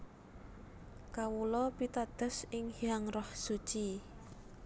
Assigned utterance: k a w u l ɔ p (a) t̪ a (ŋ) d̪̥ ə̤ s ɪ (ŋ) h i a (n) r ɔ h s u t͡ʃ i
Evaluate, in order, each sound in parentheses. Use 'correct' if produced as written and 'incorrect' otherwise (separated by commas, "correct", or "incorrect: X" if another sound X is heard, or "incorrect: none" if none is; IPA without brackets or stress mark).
incorrect: i, incorrect: none, correct, incorrect: ŋ